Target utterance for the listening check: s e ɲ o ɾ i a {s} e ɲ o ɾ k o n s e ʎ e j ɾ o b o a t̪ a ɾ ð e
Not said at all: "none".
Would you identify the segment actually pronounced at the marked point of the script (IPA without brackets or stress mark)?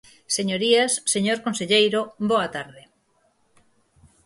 sː